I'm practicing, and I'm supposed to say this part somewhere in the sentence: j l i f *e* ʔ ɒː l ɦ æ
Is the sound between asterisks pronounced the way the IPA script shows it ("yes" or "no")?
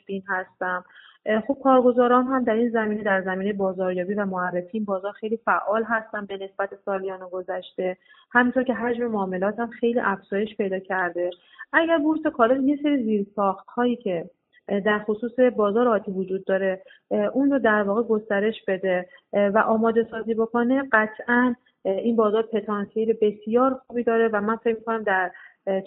no